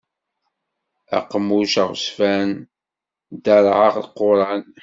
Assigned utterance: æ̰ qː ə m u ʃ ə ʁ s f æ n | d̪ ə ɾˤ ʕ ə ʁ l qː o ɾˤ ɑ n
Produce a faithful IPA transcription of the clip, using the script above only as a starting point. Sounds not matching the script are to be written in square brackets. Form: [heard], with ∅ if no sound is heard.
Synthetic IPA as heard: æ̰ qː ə m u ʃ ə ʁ s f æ n | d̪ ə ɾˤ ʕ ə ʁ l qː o ɾˤ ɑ n